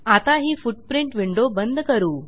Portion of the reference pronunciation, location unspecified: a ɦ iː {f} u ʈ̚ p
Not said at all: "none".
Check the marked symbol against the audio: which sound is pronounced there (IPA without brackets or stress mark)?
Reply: f